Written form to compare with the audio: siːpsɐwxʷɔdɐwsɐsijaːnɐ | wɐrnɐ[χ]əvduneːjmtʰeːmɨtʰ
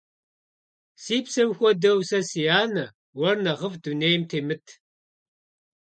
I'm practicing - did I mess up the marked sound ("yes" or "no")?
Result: yes